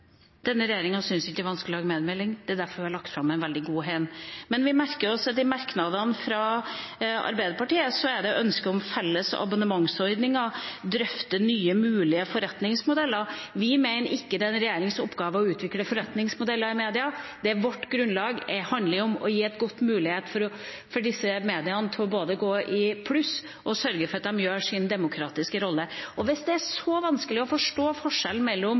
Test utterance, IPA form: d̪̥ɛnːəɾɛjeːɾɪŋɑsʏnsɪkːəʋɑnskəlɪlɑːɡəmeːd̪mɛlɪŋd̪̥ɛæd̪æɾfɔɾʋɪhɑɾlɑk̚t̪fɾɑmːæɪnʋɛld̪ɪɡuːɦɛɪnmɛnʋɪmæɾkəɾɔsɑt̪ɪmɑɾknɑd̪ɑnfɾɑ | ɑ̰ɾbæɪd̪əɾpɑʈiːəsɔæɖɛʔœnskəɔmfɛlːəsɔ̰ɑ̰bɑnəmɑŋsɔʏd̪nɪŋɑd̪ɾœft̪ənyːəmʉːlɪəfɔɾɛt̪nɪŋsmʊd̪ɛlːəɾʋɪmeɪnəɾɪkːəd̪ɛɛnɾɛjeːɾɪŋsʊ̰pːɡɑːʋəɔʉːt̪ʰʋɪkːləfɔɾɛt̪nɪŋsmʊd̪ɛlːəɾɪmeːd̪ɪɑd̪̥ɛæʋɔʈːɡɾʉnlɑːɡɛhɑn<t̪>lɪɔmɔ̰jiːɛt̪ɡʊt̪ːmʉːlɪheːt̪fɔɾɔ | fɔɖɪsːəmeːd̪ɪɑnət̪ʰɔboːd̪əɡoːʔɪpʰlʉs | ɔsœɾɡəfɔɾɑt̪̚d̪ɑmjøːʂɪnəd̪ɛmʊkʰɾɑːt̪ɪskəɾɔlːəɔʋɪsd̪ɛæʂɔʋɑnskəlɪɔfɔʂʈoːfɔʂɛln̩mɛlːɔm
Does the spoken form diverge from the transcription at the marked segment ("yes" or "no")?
yes